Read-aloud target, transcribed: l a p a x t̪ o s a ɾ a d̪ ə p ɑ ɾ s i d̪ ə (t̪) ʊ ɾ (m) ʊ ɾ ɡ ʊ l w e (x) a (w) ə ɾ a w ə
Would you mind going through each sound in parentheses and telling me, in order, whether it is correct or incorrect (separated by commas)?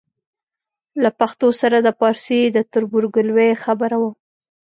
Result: correct, incorrect, correct, incorrect